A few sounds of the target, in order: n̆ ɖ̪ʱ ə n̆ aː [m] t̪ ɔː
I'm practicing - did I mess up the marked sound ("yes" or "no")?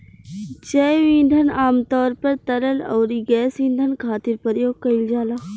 no